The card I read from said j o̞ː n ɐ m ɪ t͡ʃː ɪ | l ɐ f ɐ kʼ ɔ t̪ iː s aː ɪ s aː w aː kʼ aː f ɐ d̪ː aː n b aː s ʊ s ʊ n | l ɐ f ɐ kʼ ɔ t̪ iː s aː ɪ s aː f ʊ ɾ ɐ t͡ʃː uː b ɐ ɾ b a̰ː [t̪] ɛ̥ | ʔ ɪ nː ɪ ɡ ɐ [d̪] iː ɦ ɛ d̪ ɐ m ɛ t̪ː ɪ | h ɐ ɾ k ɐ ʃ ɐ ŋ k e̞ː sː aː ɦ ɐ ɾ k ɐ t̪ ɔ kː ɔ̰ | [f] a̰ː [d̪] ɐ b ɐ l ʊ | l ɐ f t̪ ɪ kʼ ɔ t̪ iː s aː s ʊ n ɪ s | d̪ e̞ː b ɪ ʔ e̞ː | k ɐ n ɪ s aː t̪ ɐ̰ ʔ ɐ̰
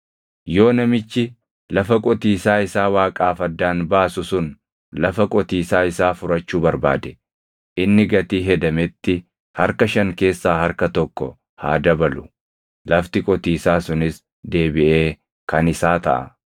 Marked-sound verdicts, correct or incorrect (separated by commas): incorrect, incorrect, incorrect, correct